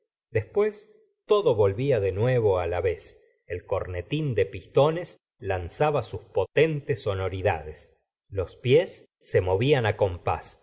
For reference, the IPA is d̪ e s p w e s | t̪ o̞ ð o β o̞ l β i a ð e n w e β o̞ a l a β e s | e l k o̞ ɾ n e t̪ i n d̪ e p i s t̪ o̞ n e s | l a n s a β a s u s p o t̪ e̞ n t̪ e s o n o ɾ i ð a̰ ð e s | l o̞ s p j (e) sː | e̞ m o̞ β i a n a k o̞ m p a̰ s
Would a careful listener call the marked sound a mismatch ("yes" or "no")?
no